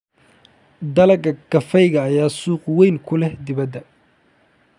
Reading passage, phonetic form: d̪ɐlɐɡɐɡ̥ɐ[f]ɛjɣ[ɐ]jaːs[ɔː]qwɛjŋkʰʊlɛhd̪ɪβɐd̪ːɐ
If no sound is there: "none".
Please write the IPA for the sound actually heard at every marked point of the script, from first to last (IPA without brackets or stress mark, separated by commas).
f, ɐː, uː